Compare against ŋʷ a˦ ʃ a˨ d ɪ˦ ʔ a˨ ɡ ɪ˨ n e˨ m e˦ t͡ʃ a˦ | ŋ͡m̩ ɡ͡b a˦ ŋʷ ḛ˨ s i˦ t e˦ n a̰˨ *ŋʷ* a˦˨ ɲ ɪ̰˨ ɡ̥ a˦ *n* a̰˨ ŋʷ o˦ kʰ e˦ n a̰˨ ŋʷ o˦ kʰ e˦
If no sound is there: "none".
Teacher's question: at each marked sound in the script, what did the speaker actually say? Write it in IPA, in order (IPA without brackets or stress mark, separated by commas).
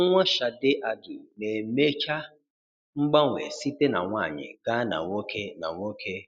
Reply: ŋʷ, n